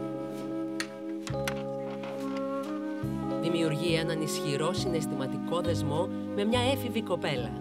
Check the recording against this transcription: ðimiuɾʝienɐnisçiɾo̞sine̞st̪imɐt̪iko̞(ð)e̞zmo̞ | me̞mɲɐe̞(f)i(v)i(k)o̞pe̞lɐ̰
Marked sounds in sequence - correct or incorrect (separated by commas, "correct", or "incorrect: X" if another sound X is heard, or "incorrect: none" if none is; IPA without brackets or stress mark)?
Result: correct, correct, correct, correct